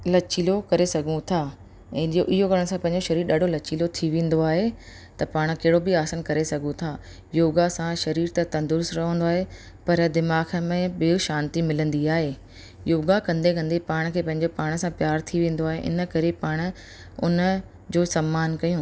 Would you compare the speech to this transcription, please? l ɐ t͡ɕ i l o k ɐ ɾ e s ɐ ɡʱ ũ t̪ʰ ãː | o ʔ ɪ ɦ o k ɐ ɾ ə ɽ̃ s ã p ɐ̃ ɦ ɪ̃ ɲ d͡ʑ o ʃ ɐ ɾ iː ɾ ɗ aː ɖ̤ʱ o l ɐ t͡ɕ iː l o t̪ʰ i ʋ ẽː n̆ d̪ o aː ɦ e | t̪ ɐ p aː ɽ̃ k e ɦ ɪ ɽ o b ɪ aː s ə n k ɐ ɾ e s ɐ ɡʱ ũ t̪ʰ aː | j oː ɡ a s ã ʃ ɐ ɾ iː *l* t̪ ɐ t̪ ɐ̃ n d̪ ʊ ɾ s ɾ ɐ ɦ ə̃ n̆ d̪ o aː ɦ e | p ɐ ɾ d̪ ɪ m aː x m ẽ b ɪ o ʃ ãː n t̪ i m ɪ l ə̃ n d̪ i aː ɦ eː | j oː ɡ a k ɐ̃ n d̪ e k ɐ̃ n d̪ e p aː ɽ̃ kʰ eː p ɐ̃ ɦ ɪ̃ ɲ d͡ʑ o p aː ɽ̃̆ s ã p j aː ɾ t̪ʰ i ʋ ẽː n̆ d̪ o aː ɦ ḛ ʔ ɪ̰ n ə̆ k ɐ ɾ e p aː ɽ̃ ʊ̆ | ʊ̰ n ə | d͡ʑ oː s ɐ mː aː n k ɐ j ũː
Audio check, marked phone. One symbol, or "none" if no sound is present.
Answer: ɾ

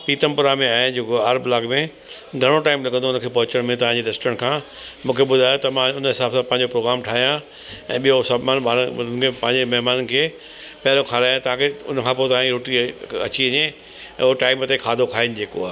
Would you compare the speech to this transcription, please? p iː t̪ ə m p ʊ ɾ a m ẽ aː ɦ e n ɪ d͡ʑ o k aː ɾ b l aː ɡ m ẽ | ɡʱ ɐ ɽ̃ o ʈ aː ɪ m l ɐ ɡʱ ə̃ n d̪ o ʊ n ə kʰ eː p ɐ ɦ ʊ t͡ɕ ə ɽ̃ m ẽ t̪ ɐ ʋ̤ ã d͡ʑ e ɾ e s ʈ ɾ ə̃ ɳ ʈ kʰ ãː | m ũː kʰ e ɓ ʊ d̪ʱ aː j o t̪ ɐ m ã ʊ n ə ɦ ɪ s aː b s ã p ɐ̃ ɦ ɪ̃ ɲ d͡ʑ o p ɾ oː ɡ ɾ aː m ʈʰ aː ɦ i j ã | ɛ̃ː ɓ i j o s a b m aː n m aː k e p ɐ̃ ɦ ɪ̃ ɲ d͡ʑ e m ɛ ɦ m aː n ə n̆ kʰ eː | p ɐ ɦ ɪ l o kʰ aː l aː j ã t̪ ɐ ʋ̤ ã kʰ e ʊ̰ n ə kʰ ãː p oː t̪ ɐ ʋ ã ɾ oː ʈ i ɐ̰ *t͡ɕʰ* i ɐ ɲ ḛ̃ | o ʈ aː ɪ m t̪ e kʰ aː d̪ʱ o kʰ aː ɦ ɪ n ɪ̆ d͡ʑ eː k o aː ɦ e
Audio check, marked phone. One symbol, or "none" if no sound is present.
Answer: t͡ɕ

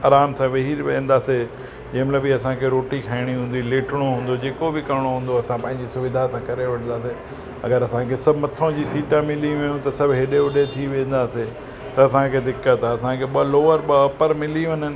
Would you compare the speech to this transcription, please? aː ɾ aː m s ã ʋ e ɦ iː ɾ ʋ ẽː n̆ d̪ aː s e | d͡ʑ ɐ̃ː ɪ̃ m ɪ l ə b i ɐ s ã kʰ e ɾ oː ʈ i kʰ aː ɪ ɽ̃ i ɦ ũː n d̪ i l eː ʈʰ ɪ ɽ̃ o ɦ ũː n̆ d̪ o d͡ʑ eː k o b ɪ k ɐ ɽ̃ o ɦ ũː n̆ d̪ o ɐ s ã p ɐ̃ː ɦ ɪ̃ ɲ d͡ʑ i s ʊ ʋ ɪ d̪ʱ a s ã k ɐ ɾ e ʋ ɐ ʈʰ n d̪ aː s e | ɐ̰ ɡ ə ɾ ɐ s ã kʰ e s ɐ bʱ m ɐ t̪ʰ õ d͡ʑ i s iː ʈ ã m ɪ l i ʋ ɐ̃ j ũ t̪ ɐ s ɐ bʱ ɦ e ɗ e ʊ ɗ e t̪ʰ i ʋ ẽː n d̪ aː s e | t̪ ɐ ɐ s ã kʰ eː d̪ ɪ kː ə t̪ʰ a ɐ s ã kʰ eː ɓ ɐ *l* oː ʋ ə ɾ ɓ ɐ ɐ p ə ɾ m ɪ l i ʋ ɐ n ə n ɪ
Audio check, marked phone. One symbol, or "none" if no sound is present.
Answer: l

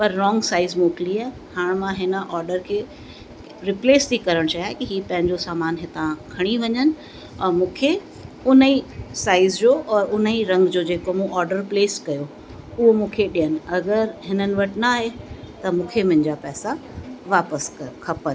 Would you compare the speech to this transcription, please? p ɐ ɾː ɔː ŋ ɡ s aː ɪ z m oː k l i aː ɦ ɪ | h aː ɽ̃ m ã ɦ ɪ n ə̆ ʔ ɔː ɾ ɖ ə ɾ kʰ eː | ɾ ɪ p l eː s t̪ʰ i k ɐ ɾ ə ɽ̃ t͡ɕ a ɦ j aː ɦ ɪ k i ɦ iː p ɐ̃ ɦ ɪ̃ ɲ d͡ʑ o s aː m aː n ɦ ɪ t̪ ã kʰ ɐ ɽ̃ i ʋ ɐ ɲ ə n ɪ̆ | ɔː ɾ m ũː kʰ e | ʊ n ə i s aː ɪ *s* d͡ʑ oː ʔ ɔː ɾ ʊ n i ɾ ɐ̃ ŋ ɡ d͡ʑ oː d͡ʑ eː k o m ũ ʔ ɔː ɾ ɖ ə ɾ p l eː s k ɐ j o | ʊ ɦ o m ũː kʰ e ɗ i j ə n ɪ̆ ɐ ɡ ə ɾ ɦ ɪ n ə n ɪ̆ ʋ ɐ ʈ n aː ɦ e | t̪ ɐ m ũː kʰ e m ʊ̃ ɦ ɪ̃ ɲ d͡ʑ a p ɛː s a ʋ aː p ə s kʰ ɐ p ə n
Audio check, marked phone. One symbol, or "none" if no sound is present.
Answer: z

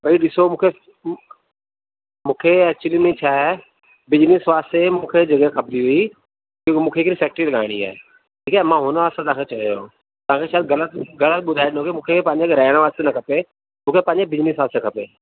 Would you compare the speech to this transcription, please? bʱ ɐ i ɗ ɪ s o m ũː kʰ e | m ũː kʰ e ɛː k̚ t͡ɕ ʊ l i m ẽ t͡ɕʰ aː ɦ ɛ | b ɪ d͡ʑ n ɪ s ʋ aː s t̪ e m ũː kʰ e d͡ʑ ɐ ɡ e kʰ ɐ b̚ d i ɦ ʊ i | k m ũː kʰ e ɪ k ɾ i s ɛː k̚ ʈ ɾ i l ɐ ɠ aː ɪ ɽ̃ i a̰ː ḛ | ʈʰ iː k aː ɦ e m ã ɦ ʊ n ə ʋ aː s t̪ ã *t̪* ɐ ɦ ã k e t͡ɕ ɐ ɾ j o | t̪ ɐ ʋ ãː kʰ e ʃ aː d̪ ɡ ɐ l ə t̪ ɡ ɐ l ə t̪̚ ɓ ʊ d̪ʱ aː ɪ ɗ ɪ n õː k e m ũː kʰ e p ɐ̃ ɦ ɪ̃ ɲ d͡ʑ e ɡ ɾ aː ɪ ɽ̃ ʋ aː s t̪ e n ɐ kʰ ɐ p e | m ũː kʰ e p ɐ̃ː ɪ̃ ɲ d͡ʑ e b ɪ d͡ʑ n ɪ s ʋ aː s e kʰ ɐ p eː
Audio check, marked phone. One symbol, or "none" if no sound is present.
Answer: t̪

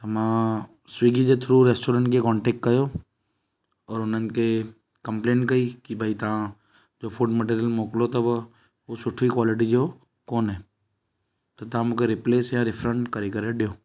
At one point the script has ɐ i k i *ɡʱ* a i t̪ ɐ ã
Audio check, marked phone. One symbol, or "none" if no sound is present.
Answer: bʱ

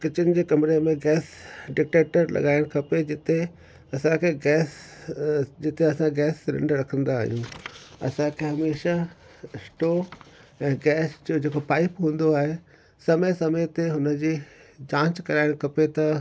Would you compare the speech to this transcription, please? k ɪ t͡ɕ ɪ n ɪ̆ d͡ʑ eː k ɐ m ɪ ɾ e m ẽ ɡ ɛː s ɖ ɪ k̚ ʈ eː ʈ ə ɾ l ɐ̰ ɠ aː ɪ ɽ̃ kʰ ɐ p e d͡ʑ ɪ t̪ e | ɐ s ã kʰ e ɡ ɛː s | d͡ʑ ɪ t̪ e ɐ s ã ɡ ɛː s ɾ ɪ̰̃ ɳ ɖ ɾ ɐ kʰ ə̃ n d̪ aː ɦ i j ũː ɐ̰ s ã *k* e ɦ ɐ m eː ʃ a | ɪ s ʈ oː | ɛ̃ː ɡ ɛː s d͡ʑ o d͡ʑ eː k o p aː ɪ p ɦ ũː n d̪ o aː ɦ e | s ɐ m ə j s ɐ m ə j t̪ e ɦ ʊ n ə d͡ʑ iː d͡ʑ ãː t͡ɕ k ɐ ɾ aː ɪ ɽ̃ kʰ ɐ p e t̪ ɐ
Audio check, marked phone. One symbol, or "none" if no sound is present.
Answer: kʰ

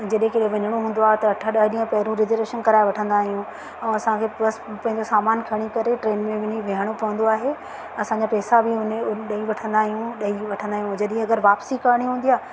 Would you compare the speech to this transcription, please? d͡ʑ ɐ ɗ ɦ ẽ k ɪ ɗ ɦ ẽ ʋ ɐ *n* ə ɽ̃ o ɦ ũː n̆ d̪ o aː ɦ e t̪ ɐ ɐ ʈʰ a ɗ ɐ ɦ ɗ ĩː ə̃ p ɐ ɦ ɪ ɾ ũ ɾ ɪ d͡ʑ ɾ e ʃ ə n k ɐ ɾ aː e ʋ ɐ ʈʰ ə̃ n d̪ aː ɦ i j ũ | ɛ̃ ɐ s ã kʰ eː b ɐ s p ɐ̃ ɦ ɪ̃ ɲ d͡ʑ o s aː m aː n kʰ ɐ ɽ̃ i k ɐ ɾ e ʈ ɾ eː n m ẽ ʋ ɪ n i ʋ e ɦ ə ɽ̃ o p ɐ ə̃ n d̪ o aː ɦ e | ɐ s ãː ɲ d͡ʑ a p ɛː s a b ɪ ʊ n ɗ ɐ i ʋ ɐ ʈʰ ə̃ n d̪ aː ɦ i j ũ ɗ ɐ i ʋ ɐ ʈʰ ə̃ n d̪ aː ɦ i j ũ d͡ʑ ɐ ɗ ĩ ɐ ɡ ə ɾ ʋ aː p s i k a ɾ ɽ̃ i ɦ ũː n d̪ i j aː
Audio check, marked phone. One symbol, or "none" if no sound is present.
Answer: ɲ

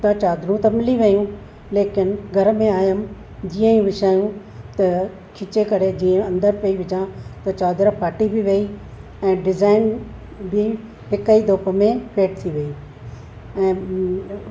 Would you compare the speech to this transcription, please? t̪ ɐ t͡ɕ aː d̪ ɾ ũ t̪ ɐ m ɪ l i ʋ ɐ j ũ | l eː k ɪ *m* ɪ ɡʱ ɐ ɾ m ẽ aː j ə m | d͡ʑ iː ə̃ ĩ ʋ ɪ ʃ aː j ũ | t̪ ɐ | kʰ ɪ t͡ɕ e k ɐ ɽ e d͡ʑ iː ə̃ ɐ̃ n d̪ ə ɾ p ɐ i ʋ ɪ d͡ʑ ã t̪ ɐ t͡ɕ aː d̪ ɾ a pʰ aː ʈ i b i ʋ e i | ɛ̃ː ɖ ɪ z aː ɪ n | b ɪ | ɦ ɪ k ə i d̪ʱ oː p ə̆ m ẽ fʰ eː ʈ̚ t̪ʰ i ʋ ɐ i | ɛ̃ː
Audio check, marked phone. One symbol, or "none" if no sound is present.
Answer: n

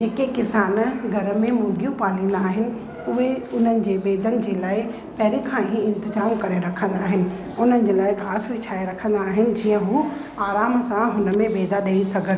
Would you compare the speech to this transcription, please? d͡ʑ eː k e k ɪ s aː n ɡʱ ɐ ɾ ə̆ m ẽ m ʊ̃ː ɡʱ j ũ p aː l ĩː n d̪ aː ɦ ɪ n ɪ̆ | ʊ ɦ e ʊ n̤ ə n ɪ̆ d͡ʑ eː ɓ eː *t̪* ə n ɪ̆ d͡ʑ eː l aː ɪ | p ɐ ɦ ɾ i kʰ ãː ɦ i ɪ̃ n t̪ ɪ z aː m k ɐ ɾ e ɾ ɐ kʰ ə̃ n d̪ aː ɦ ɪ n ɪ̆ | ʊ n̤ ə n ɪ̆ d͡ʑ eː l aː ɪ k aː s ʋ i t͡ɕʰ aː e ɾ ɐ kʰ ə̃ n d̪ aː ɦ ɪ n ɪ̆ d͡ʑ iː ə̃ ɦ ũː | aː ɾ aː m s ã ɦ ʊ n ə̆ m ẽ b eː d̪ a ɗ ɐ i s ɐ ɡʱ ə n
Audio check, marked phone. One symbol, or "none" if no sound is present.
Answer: d̪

